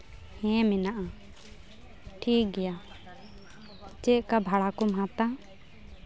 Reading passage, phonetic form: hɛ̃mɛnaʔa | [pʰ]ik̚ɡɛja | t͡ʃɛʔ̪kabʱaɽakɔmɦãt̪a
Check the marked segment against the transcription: incorrect: ʈʰ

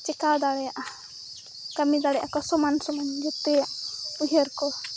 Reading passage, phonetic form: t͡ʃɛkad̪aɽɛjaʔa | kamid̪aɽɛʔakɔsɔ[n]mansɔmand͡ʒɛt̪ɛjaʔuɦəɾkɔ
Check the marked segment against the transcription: incorrect: none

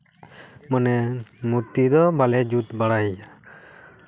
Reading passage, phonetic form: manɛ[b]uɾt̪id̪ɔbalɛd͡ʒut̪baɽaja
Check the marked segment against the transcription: incorrect: m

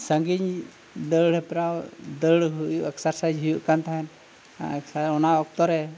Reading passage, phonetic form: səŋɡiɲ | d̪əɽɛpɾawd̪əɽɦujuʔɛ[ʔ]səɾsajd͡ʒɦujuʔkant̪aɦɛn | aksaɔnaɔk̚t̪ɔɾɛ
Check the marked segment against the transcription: incorrect: k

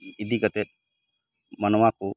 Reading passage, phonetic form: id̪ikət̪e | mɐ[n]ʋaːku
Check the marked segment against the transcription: correct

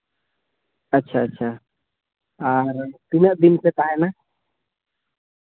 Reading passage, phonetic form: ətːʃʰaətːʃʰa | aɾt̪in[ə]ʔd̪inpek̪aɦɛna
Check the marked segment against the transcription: correct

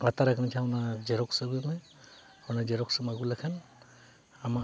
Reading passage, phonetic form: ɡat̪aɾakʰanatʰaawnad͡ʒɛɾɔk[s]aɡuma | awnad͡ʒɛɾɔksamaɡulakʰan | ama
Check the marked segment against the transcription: correct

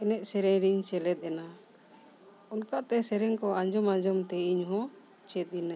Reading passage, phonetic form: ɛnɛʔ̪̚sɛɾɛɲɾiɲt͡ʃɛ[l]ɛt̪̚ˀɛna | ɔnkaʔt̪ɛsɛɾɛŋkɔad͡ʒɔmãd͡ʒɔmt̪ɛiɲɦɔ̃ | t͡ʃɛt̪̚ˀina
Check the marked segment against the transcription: correct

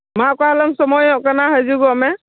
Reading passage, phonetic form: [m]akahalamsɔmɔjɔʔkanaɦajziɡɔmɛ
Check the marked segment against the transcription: correct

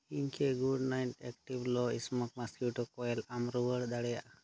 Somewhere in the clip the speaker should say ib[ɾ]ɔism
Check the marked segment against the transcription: incorrect: l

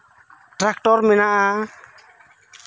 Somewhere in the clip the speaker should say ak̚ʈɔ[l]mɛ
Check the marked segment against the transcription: incorrect: ɾ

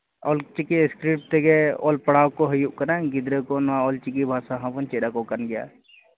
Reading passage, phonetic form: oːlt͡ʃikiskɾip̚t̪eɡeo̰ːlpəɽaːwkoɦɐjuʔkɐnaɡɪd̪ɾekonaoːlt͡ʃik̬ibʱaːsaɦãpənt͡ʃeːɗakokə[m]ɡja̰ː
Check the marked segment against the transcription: incorrect: n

